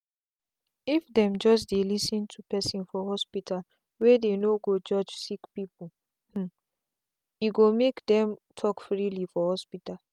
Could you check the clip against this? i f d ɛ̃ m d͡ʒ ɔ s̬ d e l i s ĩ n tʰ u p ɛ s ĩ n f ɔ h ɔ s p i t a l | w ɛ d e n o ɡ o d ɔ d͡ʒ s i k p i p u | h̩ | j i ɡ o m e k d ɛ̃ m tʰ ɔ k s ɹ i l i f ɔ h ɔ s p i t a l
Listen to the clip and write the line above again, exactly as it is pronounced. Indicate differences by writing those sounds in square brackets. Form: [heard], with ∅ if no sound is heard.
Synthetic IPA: i f d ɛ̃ m d͡ʒ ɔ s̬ d e l i s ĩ n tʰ u p ɛ s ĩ n f ɔ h ɔ s p i t a l | w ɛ d e n o ɡ o [d͡ʒ] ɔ d͡ʒ s i k p i p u | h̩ | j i ɡ o m e k d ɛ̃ m tʰ ɔ k [f] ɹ i l i f ɔ h ɔ s p i t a l